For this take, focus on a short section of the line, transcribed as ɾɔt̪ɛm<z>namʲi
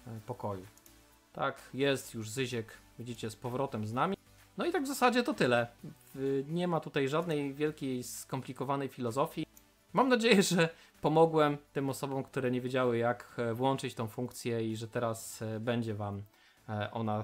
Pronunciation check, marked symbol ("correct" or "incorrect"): correct